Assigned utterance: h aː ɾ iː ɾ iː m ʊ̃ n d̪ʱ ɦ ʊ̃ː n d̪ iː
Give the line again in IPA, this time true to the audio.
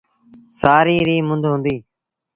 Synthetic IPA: s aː ɾ iː ɾ iː m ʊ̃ n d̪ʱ ɦ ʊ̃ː n d̪ iː